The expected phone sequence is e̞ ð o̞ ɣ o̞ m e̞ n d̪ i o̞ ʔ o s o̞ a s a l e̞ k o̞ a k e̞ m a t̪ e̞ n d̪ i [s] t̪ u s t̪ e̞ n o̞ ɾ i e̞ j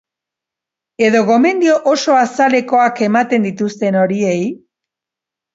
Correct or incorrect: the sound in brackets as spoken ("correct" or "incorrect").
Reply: incorrect